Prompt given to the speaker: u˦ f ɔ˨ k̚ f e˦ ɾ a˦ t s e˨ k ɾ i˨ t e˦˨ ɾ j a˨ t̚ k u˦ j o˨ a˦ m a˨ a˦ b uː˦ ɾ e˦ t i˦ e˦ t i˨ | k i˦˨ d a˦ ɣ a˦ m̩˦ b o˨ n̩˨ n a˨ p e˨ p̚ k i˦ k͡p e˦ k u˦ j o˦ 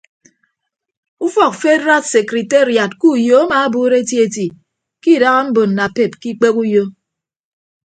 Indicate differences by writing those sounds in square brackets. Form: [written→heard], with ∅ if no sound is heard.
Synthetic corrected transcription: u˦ f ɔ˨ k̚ f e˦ ɾ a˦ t s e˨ k ɾ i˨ t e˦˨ ɾ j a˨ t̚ k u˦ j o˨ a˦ m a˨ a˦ b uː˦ ɾ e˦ t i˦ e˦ t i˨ | k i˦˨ d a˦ ɣ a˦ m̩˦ b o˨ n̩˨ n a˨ p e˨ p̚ k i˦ k͡p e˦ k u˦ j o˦